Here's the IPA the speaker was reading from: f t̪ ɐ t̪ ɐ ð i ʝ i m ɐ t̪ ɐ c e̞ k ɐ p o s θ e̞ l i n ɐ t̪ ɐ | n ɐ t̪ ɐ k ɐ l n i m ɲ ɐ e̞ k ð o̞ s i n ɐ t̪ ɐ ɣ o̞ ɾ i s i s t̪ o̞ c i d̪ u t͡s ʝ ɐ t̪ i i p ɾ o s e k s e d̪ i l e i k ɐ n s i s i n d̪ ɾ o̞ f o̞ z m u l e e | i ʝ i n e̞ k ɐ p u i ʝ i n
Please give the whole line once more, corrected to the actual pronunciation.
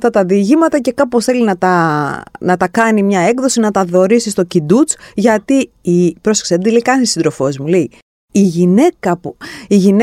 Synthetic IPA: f t̪ ɐ t̪ ɐ ð i ʝ i m ɐ t̪ ɐ c e̞ k ɐ p o s θ e̞ l i n ɐ t̪ ɐ | n ɐ t̪ ɐ k ɐ n i m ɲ ɐ e̞ k ð o̞ s i n ɐ t̪ ɐ ð o̞ ɾ i s i s t̪ o̞ c i d̪ u t͡s ʝ ɐ t̪ i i p ɾ o s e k s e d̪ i l e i k ɐ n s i s i n d̪ ɾ o̞ f o̞ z m u l e i | i ʝ i n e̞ k ɐ p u i ʝ i n